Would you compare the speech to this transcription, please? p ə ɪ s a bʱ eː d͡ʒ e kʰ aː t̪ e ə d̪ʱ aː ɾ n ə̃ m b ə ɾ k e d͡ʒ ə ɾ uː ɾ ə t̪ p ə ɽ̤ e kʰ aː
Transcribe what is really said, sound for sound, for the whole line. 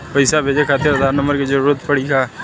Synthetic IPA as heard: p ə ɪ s a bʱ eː d͡ʒ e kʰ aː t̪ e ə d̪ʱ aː ɾ n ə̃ m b ə ɾ k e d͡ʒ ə ɾ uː ɾ ə t̪ p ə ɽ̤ i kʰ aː